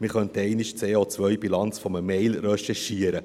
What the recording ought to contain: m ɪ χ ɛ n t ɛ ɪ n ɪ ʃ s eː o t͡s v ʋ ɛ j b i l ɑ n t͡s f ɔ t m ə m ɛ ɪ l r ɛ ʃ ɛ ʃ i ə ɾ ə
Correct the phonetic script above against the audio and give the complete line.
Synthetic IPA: m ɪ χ œ n t ɛ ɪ n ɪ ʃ t͡s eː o t͡s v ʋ œ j b i l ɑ n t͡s f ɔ m ə m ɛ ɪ l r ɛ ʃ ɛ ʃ i ə ɾ ə